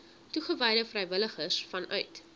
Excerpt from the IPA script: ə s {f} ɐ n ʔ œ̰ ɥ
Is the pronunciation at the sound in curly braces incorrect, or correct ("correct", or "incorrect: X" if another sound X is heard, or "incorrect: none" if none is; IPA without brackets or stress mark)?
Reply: correct